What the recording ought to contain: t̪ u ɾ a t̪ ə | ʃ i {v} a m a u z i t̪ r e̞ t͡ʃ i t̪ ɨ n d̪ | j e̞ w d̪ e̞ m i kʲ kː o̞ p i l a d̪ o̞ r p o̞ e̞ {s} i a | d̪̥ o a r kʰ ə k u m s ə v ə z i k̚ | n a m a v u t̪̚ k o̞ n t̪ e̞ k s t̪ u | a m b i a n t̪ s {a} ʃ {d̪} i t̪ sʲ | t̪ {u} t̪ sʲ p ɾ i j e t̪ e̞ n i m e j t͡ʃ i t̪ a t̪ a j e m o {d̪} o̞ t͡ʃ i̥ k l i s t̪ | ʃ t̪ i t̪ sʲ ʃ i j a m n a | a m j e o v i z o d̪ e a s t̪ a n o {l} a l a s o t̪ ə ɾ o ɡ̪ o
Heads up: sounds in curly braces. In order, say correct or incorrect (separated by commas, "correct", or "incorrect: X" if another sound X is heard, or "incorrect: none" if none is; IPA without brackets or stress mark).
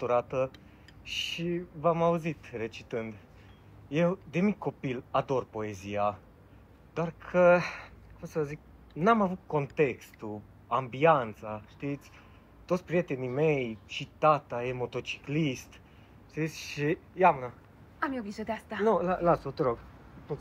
correct, incorrect: z, correct, incorrect: t̪, incorrect: o, incorrect: t̪, correct